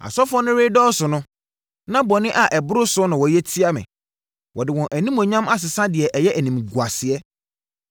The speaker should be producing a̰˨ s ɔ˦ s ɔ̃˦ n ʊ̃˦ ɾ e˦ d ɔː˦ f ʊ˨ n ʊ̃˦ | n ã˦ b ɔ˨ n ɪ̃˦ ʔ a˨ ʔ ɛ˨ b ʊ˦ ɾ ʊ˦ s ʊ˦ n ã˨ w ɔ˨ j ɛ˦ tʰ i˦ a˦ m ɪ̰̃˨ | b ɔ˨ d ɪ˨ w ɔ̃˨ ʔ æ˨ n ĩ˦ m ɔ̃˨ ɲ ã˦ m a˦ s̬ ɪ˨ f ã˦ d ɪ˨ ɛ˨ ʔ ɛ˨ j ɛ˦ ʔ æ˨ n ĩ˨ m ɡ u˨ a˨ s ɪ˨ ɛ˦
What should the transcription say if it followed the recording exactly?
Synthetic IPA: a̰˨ s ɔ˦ f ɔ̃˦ n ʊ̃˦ ɾ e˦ d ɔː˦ s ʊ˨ n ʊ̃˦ | n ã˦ b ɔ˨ n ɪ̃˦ ʔ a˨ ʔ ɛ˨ b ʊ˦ ɾ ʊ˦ s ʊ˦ n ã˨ w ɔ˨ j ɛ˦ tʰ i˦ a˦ m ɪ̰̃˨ | w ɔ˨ d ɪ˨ w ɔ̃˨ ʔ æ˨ n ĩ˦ m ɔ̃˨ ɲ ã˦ m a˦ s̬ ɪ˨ s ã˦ d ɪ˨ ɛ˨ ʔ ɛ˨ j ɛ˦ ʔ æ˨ n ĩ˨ m ɡ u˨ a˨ s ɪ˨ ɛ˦